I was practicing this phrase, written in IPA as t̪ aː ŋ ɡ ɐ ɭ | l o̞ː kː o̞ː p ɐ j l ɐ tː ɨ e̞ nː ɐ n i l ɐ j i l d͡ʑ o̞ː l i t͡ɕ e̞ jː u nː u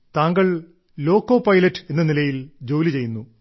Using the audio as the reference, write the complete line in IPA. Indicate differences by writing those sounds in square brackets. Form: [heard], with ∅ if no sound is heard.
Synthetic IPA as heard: t̪ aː ŋ ɡ ɐ ɭ | l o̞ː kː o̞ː p ɐ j l ɐ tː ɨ e̞ nː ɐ n i l ɐ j i l d͡ʑ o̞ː l i t͡ɕ e̞ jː u nː u